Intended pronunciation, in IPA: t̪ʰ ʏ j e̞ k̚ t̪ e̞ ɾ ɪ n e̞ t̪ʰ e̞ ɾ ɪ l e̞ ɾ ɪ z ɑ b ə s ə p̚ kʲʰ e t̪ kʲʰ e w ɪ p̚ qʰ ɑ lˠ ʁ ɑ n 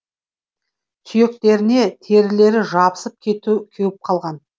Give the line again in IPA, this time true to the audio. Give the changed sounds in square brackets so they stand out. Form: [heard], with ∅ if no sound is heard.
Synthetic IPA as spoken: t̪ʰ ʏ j e̞ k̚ t̪ e̞ ɾ ɪ n e̞ t̪ʰ e̞ ɾ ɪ l e̞ ɾ ɪ [ʒ] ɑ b ə s ə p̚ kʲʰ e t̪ kʲʰ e w ɪ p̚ qʰ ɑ lˠ ʁ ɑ n